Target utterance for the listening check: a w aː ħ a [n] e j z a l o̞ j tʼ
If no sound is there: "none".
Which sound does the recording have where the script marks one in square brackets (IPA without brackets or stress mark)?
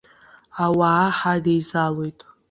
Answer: d